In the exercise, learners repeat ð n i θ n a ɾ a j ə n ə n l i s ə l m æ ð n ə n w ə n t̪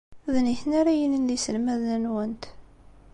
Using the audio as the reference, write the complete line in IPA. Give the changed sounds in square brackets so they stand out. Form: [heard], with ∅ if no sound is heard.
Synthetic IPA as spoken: ð n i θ n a ɾ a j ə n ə n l i s ə l m æ ð n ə n w ə n t̪